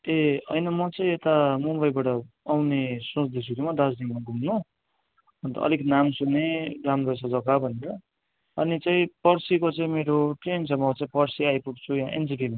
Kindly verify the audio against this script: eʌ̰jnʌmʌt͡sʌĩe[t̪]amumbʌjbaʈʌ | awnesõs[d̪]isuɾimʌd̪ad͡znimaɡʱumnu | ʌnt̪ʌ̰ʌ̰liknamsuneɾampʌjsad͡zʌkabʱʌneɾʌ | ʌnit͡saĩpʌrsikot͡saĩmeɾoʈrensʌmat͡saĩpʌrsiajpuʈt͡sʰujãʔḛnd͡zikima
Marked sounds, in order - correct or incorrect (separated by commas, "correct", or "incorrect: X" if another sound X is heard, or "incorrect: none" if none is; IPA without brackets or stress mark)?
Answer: correct, correct